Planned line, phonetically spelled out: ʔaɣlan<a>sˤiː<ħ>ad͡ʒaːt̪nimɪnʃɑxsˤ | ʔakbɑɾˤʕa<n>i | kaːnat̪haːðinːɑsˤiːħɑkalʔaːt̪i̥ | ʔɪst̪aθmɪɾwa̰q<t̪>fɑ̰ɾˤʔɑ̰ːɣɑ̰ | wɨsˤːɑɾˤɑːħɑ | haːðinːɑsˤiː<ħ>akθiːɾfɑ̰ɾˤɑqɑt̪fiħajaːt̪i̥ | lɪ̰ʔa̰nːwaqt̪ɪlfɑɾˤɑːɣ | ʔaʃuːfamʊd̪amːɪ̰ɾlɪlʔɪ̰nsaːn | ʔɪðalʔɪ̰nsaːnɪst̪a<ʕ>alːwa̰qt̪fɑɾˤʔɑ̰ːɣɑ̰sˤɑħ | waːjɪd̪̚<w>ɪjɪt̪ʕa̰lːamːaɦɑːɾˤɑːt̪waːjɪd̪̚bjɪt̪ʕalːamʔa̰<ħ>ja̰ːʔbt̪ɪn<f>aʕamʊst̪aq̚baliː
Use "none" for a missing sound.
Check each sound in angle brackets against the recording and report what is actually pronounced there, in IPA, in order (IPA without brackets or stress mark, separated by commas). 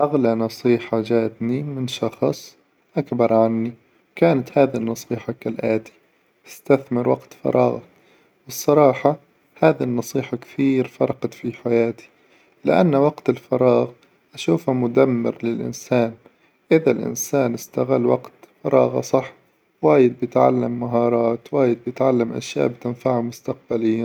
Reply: ɑ, ħ, nː, t̪, ħ, ɣ, b, ʃ, f